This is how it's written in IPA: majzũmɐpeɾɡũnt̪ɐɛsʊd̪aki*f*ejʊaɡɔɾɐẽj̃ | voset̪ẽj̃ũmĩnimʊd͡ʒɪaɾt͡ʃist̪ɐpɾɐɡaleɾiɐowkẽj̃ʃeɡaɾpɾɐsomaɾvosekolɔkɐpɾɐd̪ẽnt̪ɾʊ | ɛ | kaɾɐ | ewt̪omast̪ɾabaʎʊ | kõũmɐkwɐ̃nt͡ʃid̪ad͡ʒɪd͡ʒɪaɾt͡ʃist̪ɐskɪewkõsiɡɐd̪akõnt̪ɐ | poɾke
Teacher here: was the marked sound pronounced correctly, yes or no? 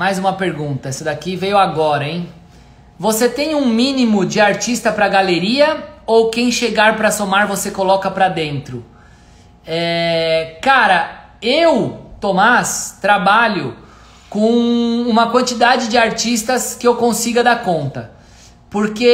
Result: no